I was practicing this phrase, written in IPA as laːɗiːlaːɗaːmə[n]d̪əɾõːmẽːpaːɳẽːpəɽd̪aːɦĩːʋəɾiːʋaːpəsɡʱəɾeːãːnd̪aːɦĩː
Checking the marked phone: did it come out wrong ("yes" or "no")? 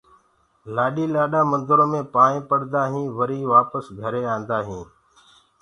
no